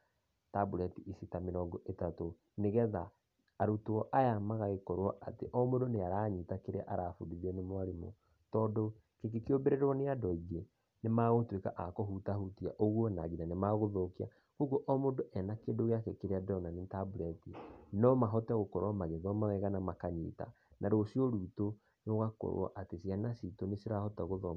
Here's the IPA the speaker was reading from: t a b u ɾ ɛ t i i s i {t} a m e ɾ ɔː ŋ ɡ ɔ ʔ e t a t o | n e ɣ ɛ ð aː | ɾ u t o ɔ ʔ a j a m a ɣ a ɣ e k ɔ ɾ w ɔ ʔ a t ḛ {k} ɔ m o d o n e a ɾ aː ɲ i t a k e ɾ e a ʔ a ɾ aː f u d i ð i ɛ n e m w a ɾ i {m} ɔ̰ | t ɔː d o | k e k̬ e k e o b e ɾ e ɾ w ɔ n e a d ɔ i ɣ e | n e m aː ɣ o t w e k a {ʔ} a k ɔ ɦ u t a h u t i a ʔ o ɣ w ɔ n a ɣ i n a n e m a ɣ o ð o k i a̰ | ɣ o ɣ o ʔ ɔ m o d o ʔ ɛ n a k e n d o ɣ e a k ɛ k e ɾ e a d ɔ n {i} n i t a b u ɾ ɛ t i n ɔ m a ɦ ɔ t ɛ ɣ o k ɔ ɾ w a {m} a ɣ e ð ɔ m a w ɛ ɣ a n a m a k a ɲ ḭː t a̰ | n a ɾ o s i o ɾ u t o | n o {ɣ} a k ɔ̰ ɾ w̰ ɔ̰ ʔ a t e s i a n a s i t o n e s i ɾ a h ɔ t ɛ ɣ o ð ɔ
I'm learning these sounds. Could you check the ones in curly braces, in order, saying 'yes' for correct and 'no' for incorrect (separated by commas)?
yes, no, yes, yes, no, yes, yes